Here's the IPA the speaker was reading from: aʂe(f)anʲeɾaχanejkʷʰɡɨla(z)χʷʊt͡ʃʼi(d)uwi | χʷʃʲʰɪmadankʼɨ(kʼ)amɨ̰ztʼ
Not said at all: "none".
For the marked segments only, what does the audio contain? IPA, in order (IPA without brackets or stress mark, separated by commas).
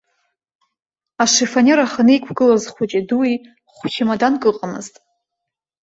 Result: f, z, d, qʼ